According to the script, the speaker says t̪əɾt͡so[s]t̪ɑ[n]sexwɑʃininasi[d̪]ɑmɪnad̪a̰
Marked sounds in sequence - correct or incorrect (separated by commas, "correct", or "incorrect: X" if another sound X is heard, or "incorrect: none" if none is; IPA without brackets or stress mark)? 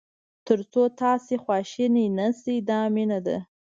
incorrect: none, incorrect: none, correct